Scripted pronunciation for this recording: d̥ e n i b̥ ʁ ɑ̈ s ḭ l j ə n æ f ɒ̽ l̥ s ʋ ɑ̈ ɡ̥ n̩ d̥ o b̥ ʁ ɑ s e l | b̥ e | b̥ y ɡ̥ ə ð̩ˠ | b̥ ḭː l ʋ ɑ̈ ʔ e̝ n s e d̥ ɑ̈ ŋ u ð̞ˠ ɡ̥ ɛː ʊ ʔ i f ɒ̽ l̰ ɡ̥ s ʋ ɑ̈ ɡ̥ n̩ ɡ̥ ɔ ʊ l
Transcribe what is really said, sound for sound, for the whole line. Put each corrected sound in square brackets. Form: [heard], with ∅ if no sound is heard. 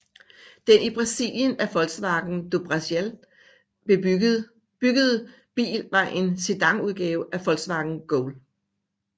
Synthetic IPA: d̥ e n i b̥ ʁ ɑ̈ s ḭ l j ə n æ f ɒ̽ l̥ s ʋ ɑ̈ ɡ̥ n̩ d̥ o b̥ ʁ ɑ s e l | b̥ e | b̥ y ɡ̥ ə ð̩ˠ | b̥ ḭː l ʋ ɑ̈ ʔ e̝ n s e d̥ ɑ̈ ŋ u ð̞ˠ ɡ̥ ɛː ʊ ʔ [æ] f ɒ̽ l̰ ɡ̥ s ʋ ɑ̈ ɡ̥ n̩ ɡ̥ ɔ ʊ l